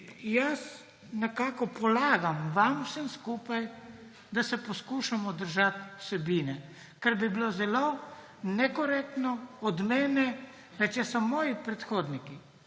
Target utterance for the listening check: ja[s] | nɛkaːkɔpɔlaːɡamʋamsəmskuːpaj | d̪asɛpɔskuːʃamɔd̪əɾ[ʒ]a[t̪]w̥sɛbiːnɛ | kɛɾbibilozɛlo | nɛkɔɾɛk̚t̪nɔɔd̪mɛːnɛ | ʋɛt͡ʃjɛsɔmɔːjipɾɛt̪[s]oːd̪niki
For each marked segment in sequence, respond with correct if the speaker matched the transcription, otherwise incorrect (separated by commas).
correct, correct, correct, incorrect